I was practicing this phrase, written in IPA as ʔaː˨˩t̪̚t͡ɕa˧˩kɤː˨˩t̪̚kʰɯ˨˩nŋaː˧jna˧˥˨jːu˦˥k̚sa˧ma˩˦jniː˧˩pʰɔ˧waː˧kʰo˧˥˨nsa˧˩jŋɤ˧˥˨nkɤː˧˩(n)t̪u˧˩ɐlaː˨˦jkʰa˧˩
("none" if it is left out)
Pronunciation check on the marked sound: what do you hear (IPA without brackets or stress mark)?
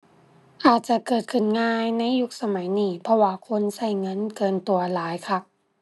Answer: n